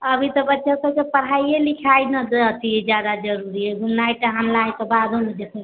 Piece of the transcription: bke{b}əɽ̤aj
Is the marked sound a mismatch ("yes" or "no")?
yes